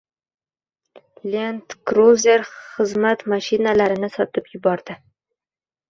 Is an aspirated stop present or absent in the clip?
absent